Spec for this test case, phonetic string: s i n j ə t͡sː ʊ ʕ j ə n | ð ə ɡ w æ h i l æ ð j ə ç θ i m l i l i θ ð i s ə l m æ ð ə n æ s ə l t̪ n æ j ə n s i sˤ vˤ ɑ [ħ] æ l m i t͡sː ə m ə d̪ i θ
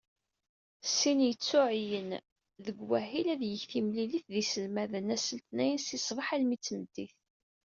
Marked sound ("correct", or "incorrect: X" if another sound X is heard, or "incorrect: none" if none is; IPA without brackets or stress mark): correct